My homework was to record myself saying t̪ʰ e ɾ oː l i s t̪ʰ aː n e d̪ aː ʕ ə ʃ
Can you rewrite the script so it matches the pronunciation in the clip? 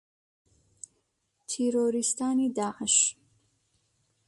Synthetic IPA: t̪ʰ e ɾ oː ɾ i s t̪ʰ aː n i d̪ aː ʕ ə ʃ